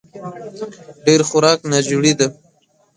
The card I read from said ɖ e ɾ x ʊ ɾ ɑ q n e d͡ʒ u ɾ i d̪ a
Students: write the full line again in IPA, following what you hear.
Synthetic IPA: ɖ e ɾ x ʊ ɾ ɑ k n a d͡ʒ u ɽ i d̪ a